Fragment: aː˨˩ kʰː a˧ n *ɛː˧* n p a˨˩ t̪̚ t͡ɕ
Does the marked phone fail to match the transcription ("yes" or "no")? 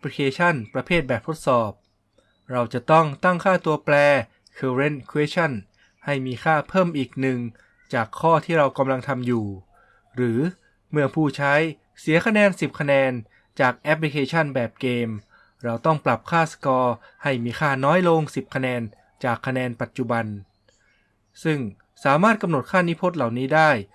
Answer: no